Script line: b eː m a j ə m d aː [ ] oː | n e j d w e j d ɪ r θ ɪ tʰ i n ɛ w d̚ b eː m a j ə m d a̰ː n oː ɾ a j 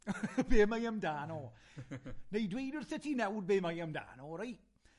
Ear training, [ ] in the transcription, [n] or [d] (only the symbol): n